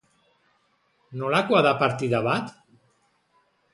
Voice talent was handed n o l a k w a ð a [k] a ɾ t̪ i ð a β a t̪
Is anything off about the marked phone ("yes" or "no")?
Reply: yes